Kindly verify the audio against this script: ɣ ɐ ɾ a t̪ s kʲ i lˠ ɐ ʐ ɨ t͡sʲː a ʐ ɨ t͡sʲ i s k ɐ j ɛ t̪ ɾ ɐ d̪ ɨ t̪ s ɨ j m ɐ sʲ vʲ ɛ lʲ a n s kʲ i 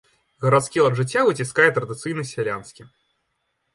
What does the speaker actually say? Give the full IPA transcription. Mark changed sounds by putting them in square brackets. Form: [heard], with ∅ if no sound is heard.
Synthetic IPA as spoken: ɣ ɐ ɾ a t̪ s kʲ i lˠ ɐ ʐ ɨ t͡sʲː a [v] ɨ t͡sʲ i s k [a] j ɛ t̪ ɾ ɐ d̪ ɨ t̪ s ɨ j [n] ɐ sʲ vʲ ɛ lʲ a n s kʲ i